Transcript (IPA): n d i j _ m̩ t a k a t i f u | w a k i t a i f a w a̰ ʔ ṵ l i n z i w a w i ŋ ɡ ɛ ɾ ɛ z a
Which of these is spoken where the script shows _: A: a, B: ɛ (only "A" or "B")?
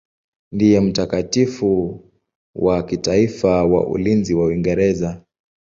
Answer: B